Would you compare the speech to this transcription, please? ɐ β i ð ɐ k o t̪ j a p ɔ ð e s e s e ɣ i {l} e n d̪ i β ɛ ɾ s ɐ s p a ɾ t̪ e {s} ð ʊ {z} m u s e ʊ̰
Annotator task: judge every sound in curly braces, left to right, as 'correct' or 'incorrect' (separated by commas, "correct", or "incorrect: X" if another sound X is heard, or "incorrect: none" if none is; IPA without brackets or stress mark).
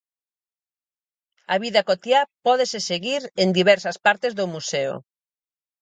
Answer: incorrect: ɾ, incorrect: z, incorrect: none